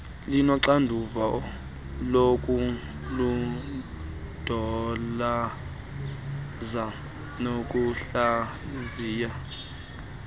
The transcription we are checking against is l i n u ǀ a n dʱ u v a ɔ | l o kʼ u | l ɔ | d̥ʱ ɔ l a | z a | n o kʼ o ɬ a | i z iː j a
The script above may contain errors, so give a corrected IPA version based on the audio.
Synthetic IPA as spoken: l i n ɔ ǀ a n dʱ u v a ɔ | l o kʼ u | l u | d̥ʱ ɔ l a | z a | n o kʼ u ɬ a | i z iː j a